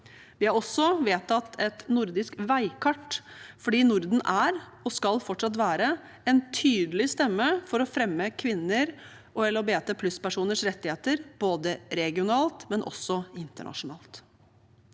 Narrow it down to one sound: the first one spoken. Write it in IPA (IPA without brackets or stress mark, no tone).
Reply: ʋ